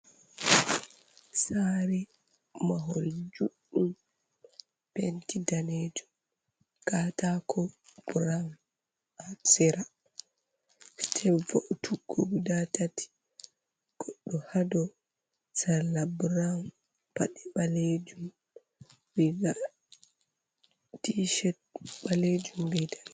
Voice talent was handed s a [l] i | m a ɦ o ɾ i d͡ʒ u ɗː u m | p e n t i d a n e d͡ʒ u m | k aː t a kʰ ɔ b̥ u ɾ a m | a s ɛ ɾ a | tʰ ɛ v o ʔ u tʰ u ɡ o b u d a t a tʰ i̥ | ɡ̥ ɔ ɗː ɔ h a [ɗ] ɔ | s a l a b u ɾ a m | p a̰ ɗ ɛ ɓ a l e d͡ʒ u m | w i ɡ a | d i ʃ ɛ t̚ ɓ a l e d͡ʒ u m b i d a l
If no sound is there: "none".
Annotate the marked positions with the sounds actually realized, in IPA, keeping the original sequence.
ɾ, d

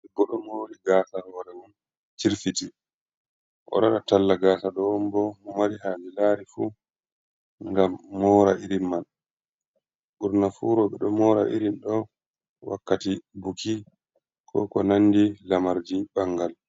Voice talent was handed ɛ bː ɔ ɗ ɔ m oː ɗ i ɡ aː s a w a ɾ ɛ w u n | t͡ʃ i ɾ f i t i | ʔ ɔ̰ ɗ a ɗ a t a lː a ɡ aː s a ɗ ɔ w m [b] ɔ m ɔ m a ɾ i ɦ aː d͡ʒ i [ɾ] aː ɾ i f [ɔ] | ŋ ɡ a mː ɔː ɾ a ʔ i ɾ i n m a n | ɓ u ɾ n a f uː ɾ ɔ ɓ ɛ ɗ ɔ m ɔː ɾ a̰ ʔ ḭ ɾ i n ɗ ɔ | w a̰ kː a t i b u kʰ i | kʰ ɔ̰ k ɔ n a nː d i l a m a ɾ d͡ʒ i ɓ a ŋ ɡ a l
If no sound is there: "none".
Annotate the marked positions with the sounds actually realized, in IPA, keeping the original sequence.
b, l, u

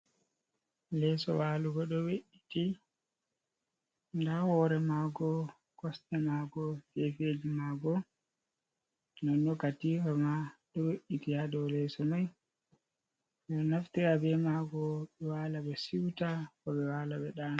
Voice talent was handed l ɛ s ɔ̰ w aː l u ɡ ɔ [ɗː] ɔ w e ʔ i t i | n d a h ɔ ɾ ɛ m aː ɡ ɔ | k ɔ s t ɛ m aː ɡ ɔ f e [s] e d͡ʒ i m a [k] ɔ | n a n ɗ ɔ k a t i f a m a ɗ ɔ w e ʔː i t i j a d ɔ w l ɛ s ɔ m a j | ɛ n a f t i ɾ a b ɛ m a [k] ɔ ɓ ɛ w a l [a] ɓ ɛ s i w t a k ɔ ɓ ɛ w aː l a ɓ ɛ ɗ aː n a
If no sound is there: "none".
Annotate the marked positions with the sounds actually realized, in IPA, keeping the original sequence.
ɗ, f, ɡ, ɡ, a

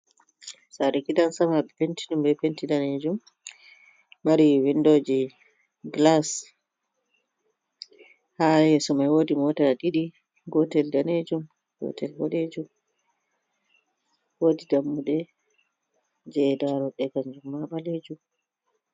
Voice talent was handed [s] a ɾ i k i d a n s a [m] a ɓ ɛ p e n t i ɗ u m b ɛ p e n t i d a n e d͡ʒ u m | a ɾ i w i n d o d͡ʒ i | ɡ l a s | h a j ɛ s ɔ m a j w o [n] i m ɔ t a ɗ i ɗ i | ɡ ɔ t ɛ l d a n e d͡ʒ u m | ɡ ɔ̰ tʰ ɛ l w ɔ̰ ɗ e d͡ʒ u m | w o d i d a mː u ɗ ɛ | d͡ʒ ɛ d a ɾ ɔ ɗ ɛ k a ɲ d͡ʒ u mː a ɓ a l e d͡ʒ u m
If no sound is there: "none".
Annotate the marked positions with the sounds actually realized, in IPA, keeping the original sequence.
s, m, d

